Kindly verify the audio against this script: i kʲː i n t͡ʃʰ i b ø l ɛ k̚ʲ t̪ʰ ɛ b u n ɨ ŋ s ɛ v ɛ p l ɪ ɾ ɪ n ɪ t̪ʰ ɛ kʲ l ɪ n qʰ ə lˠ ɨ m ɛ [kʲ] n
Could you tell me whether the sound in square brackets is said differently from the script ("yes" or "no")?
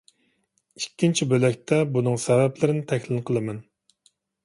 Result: yes